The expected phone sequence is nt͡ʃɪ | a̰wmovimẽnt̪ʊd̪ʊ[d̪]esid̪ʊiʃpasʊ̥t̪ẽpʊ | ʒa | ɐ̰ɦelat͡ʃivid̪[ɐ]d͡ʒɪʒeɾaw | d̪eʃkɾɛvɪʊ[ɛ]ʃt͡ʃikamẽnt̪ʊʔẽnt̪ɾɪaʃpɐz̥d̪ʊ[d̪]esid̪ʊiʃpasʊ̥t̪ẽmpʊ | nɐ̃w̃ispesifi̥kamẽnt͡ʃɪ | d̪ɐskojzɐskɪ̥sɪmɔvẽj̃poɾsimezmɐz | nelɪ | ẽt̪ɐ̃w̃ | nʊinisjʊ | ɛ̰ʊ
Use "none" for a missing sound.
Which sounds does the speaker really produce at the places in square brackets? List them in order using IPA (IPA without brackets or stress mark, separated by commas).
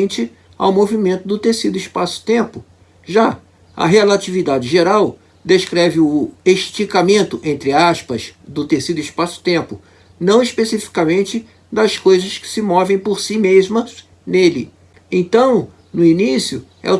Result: t̪, a, e, t̪